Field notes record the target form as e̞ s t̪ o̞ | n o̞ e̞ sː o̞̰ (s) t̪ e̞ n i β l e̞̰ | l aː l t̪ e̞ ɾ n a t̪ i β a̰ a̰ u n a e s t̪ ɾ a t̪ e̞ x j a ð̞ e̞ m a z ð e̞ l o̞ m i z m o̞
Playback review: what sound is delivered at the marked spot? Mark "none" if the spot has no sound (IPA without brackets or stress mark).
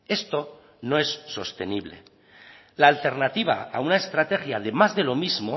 s